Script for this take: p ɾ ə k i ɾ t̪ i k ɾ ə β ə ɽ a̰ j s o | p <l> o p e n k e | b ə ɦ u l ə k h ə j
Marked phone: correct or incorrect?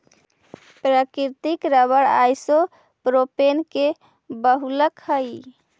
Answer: incorrect